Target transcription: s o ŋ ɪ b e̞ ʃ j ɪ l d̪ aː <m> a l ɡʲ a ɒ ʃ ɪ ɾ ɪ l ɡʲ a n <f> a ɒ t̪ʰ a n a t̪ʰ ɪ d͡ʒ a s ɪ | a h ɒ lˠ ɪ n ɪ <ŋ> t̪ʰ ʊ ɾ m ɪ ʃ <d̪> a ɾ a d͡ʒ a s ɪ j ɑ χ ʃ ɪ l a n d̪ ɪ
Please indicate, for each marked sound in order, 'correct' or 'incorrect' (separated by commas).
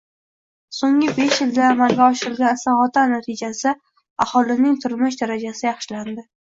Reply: correct, incorrect, correct, correct